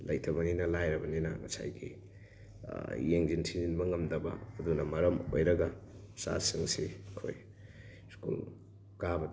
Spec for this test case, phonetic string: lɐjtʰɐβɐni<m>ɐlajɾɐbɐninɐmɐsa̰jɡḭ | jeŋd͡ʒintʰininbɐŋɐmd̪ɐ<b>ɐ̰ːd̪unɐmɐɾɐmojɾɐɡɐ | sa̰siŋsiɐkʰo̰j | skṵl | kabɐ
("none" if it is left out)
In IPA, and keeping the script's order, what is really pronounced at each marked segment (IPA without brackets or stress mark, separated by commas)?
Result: n, b